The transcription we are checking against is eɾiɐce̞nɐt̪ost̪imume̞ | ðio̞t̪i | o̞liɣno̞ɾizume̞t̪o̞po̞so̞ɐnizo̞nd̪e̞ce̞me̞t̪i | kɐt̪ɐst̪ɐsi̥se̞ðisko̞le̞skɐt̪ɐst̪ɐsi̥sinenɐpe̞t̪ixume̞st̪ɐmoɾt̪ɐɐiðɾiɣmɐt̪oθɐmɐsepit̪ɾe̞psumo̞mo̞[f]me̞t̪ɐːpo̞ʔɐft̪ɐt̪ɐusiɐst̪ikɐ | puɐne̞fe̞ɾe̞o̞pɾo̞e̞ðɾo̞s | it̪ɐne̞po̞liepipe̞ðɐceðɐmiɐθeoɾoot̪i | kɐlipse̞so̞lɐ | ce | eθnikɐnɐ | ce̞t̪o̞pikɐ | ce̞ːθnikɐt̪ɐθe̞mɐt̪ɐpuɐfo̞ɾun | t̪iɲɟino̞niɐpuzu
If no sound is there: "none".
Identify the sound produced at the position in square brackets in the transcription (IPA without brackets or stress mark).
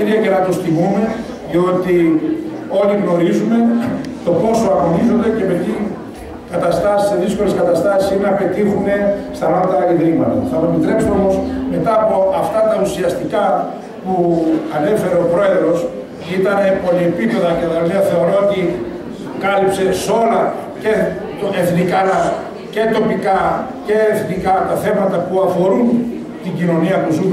s